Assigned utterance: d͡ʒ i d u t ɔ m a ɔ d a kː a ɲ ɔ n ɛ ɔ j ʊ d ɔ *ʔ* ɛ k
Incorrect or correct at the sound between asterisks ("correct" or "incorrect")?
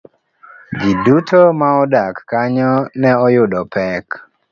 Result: incorrect